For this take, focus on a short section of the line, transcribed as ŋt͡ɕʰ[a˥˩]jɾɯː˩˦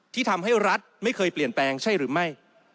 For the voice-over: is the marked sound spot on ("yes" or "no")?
yes